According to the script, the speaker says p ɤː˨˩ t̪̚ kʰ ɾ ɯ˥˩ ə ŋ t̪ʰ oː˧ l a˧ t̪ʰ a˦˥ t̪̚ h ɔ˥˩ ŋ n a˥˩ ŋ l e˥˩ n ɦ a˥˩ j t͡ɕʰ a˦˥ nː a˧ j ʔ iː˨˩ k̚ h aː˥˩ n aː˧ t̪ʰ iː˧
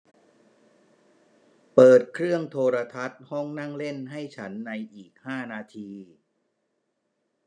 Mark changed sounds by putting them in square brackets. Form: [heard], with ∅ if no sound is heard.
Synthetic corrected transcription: p ɤː˨˩ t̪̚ kʰ ɾ ɯ˥˩ ə ŋ t̪ʰ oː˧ [ɾ] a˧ t̪ʰ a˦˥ t̪̚ h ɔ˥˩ ŋ n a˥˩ ŋ l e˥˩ n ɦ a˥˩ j t͡ɕʰ a˦˥ nː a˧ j ʔ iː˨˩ k̚ h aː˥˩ n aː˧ t̪ʰ iː˧